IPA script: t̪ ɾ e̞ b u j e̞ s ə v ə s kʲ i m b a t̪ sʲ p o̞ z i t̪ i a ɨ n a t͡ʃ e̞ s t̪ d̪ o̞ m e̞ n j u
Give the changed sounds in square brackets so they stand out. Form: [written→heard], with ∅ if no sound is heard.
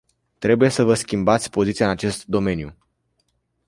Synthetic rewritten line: t̪ ɾ e̞ b u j e̞ s ə v ə s kʲ i m b a t̪ sʲ p o̞ z i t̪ i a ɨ n a t͡ʃ e̞ s t̪ d̪ o̞ m e̞ n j u